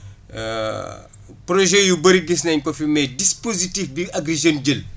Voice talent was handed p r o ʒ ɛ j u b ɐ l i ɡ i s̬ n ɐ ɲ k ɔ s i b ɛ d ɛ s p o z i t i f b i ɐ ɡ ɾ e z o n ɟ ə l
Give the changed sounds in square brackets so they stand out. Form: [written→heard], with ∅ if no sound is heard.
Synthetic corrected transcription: p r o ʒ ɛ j u b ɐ [l→ɾ] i ɡ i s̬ n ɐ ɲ k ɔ [s→f] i [b→m] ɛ d [ɛ→i] s p o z i t i f b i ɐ ɡ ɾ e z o n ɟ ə l